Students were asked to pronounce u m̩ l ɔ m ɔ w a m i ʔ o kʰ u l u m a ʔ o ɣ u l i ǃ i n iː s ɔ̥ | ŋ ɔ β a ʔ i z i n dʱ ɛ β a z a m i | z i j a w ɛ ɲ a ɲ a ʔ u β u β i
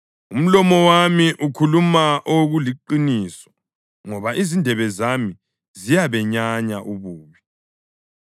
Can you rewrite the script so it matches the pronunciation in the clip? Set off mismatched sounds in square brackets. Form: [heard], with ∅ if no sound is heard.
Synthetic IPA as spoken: u m̩ l ɔ m ɔ w a m i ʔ [u] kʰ u l u m a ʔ o ɣ u l i ǃ i n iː s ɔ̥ | ŋ ɔ β a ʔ i z i n dʱ ɛ β [ɛ] z a m i | z i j a [β] ɛ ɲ a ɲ a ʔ u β [uː] β i

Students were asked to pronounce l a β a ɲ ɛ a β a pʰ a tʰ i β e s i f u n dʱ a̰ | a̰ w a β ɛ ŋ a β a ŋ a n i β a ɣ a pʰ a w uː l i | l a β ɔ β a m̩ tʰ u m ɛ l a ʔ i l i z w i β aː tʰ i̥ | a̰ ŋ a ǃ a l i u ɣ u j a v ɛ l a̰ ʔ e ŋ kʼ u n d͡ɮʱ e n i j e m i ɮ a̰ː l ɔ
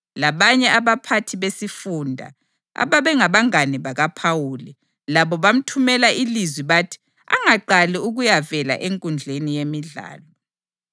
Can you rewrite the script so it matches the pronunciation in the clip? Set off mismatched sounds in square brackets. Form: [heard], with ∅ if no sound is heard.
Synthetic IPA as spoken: l a β a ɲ ɛ a β a pʰ a tʰ i β e s i f u n dʱ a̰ | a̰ [β] a β ɛ ŋ a β a ŋ a n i β a ɣ a pʰ a w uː l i | l a β ɔ β a m̩ tʰ u m ɛ l a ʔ i l i z w i β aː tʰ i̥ | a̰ ŋ a ǃ a l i u ɣ u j a v ɛ l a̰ ʔ e ŋ kʼ u n d͡ɮʱ e n i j e m i ɮ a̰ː l ɔ

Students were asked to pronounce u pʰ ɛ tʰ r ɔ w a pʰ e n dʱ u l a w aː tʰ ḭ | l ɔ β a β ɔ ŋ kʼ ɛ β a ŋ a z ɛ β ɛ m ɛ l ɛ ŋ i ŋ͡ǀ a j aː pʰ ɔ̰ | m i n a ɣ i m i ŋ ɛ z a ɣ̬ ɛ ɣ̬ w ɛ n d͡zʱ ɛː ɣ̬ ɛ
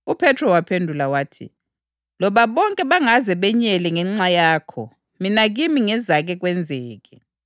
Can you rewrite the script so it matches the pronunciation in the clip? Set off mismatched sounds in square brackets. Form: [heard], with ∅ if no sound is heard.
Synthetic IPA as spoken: u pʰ ɛ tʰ r ɔ w a pʰ e n dʱ u l a w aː tʰ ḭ | l ɔ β a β ɔ ŋ kʼ ɛ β a ŋ a z ɛ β ɛ [ɲ] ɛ l ɛ ŋ [ɛ] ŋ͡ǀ a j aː [kʰ] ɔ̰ | m i n a ɣ i m i ŋ ɛ z a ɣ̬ ɛ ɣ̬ w ɛ n d͡zʱ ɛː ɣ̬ ɛ

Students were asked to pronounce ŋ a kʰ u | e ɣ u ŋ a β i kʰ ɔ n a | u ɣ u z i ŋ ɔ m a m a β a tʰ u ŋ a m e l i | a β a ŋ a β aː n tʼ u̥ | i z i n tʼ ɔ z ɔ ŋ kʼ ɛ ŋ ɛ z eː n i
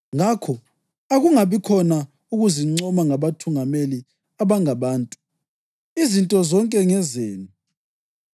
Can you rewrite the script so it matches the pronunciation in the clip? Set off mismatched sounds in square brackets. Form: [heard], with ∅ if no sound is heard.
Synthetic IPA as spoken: ŋ a kʰ [ɔ] | [a] ɣ u ŋ a β i kʰ ɔ n a | u ɣ u z i [ŋ͡ǀ] ɔ m a [ŋ] a β a tʰ u ŋ a m e l i | a β a ŋ a β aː n tʼ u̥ | i z i n tʼ ɔ z ɔ ŋ kʼ ɛ ŋ ɛ z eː n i

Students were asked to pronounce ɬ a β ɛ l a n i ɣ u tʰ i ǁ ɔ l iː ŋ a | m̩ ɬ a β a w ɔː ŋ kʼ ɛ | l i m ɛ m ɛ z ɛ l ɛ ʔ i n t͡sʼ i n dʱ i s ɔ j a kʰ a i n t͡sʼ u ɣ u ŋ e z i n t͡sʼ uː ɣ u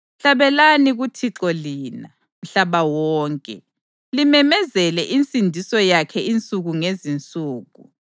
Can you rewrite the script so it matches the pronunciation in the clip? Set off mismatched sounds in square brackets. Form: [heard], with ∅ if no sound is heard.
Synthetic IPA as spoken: ɬ a β ɛ l a n i ɣ u tʰ i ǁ ɔ l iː [n] a | m̩ ɬ a β a w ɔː ŋ kʼ ɛ | l i m ɛ m ɛ z ɛ l ɛ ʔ i n t͡sʼ i n dʱ i s ɔ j a kʰ [ɛ] i n t͡sʼ u ɣ u ŋ e z i n t͡sʼ uː ɣ u

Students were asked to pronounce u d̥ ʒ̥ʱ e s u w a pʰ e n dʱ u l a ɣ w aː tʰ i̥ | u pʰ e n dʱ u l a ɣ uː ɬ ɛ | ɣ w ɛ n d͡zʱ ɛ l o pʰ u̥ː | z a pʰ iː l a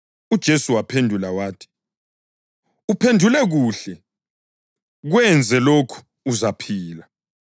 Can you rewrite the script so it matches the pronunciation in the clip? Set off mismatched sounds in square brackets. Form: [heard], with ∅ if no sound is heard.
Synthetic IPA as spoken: u d̥ ʒ̥ʱ e s u w a pʰ e n dʱ u l a [∅] w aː tʰ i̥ | u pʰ e n dʱ u l [ɛ] ɣ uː ɬ ɛ | ɣ w ɛ n d͡zʱ ɛ l o [kʰ] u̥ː | z a pʰ iː l a

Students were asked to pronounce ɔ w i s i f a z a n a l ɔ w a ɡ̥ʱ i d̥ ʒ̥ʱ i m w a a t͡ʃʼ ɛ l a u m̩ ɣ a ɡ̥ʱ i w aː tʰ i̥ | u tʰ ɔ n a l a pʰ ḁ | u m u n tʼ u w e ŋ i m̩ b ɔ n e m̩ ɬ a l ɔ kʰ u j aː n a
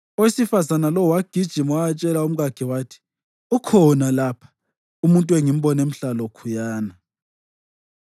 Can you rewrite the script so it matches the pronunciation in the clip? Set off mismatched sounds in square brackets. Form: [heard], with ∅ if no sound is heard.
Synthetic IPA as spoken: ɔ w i s i f a z a n a l ɔ w a ɡ̥ʱ i d̥ ʒ̥ʱ i m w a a t͡ʃʼ ɛ l a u m̩ ɣ a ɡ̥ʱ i w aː tʰ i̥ | u [kʰ] ɔ n a l a pʰ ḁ | u m u n tʼ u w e ŋ i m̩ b ɔ n e m̩ ɬ a l ɔ kʰ u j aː n a

